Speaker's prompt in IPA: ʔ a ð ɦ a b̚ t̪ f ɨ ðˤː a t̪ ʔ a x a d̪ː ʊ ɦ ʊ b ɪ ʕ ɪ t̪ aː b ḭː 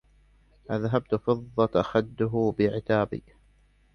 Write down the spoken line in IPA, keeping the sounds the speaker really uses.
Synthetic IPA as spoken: ʔ a ð ɦ a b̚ t̪ f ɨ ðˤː ɑ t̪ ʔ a x a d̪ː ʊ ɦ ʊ b ɪ ʕ ɪ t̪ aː b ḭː